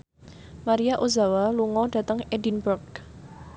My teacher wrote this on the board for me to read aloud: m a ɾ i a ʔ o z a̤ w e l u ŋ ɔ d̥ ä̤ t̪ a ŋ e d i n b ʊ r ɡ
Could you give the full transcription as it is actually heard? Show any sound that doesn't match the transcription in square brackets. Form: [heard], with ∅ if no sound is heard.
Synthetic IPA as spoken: m a ɾ i a ʔ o z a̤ w [a] l u ŋ ɔ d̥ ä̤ t̪ [ə] ŋ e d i n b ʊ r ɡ